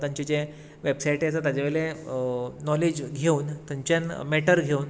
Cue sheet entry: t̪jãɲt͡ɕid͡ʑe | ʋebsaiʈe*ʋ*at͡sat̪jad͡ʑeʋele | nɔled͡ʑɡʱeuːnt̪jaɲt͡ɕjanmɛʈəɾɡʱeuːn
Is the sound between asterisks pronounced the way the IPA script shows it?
no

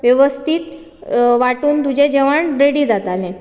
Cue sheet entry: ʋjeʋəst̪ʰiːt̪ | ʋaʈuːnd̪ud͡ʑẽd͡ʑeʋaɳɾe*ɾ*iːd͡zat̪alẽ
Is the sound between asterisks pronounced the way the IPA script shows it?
no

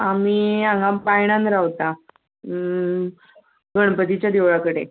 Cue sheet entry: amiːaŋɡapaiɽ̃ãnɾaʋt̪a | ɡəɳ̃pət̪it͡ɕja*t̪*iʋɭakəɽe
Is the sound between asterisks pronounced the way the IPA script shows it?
no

